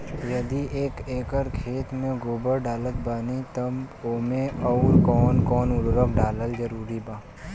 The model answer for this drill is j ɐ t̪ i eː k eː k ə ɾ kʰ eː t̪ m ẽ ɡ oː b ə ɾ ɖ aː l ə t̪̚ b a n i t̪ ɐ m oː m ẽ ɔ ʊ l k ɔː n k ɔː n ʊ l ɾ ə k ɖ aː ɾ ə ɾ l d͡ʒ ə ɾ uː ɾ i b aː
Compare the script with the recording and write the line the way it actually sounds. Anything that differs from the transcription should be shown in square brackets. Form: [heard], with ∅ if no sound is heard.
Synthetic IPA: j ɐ [d̪] i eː k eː k ə ɾ kʰ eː t̪ m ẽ ɡ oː b ə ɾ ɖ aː l ə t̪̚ b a n i t̪ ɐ m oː m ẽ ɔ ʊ [ɾ] k ɔː n k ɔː n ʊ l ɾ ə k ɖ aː [l] ə [∅] l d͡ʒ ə ɾ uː ɾ i b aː

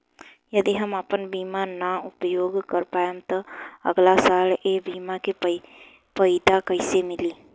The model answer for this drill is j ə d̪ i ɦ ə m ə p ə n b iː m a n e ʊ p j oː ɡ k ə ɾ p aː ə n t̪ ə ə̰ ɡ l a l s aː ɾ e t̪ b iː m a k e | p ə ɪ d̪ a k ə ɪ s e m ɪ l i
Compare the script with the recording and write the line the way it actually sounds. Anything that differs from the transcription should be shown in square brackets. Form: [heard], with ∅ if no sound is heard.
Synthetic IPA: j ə d̪ i ɦ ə m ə p ə n b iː m a n [a] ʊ p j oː ɡ k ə ɾ p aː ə [m] t̪ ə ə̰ ɡ l a [∅] s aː [l] e [∅] b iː m a k e | p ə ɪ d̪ a k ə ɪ s e m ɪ l i

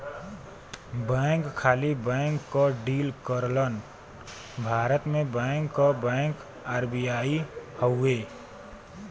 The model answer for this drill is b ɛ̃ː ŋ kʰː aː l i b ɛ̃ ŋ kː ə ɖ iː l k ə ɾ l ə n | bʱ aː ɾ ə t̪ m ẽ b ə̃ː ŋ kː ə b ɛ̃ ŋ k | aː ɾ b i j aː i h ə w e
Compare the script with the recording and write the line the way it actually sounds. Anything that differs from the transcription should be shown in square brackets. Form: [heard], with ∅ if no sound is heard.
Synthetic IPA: b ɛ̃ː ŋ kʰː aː l i b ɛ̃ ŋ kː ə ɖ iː l k ə ɾ l ə n | bʱ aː ɾ ə t̪ m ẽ b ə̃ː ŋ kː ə b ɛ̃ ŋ k | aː ɾ b i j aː i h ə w e

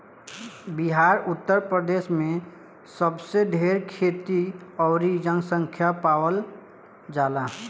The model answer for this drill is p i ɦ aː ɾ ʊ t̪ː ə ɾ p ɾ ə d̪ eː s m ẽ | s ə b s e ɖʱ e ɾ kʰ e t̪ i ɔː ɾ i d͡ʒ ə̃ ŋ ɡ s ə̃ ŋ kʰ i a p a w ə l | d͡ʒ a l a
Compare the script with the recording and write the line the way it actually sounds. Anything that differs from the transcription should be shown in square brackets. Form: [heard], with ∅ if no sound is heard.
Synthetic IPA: [b] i ɦ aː ɾ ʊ t̪ː ə ɾ p ɾ ə d̪ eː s m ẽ | s ə b s e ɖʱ e ɾ kʰ e t̪ i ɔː ɾ i d͡ʒ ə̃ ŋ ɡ s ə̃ ŋ kʰ [j] a p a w ə l | d͡ʒ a l a

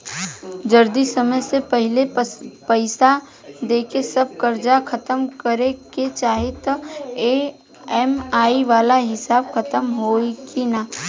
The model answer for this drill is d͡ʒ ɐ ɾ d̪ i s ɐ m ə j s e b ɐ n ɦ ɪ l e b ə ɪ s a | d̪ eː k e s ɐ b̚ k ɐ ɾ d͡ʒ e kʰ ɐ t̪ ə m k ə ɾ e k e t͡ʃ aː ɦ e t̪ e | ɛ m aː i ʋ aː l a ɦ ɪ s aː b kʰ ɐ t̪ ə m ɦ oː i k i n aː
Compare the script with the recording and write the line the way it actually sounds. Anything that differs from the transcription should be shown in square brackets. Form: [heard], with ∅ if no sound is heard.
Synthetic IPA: d͡ʒ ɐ ɾ d̪ i s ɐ m ə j s e [p] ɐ [∅] ɦ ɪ l e [p] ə ɪ s a | d̪ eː k e s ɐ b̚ k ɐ ɾ d͡ʒ [a] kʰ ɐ t̪ ə m k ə ɾ e k e t͡ʃ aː ɦ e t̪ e | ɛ m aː i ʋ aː l a ɦ ɪ s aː b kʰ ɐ t̪ ə m ɦ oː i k i n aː

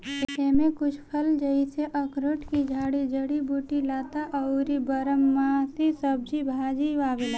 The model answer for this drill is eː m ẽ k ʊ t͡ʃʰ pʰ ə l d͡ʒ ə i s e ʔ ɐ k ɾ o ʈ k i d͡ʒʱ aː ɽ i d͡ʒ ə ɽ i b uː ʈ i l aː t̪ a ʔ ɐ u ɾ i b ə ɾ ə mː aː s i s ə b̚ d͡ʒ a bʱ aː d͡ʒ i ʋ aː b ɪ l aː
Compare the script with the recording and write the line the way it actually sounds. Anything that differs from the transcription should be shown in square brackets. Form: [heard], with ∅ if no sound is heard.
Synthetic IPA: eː m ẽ k ʊ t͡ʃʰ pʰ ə l d͡ʒ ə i s e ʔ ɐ k ɾ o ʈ k i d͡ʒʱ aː ɽ i d͡ʒ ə ɽ i b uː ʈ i l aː t̪ a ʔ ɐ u ɾ i b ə ɾ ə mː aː s i s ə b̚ d͡ʒ [i] bʱ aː d͡ʒ i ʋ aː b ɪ l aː

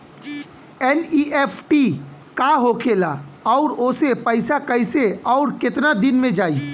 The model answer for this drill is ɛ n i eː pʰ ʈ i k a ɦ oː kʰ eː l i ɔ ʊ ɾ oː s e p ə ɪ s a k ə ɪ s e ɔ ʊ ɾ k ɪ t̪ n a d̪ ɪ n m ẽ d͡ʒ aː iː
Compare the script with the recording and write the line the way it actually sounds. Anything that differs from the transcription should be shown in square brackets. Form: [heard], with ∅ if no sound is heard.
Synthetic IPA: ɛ n i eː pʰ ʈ i k a ɦ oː kʰ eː l [a] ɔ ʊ ɾ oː s e p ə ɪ s a k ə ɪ s e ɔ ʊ ɾ k ɪ t̪ n a d̪ ɪ n m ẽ d͡ʒ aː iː

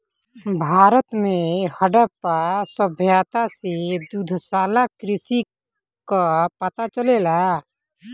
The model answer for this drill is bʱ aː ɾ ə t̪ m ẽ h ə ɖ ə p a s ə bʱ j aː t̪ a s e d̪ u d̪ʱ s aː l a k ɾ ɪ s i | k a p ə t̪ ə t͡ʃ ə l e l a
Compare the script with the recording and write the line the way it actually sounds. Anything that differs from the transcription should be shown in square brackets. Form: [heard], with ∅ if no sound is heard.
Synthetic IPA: bʱ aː ɾ ə t̪ m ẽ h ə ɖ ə p a s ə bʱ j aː t̪ a s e d̪ u d̪ʱ s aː l a k ɾ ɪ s i | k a p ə t̪ [a] t͡ʃ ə l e l a

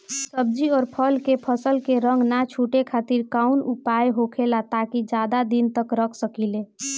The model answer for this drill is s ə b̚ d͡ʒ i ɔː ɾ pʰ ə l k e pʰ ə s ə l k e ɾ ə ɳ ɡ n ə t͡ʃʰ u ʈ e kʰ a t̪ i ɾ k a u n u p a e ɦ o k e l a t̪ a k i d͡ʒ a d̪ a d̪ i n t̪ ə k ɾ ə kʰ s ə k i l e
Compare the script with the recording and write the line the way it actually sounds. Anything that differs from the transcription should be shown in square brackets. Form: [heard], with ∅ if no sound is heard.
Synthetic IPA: s ə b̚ d͡ʒ i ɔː ɾ pʰ ə l k e pʰ ə s ə l k e ɾ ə [ŋ] ɡ n [a] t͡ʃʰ u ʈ e kʰ a t̪ i ɾ k a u n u p a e ɦ o [kʰ] e l a t̪ a k i d͡ʒ a d̪ a d̪ i n t̪ ə k ɾ ə kʰ s ə k i l e

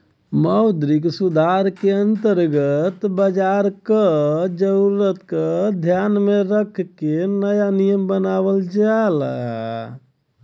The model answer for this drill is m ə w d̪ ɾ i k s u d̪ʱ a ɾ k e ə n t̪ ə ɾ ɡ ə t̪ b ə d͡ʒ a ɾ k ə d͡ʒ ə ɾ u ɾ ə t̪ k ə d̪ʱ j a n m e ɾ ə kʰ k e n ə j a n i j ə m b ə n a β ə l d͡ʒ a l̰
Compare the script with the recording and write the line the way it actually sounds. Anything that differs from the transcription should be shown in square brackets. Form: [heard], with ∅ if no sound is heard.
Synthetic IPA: m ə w d̪ ɾ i k s u d̪ʱ a ɾ k e ə n t̪ ə ɾ ɡ ə t̪ b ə d͡ʒ a ɾ k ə d͡ʒ ə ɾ u ɾ ə t̪ k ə d̪ʱ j a n m e ɾ ə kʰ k e n ə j a n i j ə m b ə n a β ə l d͡ʒ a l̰

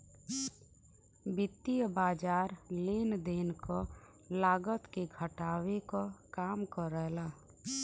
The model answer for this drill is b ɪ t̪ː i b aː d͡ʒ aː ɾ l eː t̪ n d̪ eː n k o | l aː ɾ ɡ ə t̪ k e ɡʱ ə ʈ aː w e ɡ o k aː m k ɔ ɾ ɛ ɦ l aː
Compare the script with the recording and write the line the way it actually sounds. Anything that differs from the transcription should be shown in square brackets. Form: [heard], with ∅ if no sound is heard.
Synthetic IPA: b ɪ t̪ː i b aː d͡ʒ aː ɾ l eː [∅] n d̪ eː n k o | l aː [∅] ɡ ə t̪ k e ɡʱ ə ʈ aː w e [k] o k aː m k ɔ ɾ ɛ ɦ l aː

